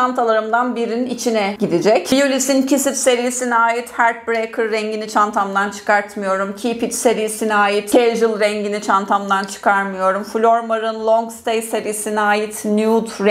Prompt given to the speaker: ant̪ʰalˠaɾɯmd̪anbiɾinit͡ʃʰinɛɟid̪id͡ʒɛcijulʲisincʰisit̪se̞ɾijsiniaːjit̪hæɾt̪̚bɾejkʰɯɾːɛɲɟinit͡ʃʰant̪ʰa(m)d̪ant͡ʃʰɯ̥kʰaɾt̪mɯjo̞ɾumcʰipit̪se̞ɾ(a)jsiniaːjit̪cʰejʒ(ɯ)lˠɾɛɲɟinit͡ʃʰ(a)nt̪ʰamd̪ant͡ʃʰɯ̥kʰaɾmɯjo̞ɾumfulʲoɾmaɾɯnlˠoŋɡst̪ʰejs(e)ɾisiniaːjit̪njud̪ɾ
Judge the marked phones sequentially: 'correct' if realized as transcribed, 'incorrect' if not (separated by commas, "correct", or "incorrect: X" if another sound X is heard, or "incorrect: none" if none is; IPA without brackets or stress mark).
correct, incorrect: i, correct, correct, correct